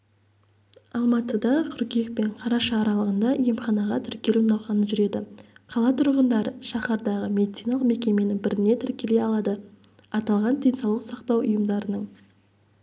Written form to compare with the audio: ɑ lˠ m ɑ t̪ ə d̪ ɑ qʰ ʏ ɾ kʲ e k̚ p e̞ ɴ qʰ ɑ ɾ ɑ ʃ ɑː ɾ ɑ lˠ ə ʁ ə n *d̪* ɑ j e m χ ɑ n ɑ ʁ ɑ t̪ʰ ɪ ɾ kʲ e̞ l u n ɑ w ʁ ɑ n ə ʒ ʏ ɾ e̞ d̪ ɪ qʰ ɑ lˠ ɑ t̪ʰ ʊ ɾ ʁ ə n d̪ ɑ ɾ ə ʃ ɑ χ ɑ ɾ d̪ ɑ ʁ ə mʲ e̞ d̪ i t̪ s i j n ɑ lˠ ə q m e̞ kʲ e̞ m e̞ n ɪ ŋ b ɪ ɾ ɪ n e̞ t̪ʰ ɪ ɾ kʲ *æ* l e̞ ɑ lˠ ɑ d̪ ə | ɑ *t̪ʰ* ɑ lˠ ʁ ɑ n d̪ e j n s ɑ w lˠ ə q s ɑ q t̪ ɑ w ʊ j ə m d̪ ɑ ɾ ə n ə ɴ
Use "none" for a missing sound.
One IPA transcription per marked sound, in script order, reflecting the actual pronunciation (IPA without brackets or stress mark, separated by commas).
d̪, e, t̪